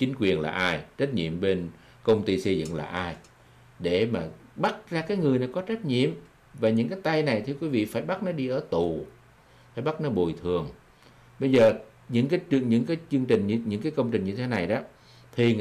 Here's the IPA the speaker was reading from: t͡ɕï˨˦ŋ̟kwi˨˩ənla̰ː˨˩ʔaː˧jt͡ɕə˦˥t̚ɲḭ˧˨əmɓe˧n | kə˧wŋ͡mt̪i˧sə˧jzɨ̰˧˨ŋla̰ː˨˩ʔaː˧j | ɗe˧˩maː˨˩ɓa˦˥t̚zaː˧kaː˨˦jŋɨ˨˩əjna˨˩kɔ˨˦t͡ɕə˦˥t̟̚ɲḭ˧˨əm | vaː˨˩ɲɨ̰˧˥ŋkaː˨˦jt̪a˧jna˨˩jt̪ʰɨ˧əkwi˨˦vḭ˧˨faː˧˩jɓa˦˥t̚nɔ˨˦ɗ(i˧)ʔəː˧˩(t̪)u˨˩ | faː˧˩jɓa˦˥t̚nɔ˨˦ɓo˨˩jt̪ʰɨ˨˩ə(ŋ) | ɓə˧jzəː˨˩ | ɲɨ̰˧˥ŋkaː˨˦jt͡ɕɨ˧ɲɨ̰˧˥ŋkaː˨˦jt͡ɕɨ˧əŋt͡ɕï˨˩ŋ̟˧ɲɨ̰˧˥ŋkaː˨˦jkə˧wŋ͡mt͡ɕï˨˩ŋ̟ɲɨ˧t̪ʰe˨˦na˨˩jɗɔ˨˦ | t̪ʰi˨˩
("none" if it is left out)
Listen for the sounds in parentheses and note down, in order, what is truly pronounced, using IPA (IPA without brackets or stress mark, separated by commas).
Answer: i˧, t̪, ŋ